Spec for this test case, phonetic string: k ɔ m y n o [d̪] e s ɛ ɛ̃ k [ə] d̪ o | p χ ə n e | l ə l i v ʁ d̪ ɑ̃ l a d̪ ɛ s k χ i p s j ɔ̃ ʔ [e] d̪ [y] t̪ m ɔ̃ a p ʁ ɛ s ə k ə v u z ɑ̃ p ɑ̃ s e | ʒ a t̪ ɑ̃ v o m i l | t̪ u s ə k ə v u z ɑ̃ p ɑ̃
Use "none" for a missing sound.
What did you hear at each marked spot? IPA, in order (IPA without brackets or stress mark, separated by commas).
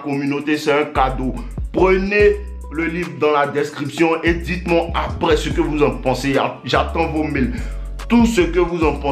t̪, a, e, i